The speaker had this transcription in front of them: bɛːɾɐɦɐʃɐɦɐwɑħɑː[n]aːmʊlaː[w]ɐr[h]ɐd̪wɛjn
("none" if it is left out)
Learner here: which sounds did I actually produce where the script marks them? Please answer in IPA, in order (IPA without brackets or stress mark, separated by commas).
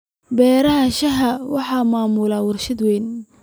m, w, ʃ